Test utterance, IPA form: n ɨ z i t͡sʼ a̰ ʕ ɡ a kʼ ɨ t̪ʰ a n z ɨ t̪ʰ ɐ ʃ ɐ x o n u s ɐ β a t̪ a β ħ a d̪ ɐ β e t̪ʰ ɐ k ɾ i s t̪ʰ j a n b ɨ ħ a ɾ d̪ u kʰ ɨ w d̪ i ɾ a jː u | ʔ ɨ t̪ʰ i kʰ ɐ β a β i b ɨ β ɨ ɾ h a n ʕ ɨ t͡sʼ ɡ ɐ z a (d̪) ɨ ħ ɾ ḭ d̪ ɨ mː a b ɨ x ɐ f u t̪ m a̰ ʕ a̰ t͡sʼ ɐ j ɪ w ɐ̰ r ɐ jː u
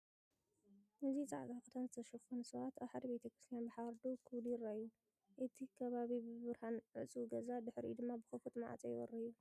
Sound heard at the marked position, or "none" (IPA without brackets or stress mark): d̪